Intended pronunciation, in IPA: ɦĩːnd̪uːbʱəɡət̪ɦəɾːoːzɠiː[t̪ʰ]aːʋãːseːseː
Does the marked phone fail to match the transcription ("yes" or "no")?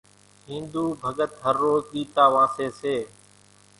yes